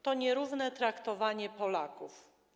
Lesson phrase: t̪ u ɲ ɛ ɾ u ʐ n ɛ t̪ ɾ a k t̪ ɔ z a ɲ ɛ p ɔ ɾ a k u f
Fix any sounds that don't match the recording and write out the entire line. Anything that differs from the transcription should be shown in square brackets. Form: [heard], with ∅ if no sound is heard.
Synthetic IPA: t̪ [ɔ] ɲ ɛ ɾ u [v] n ɛ t̪ ɾ a k t̪ ɔ [v] a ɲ ɛ p ɔ [l] a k u f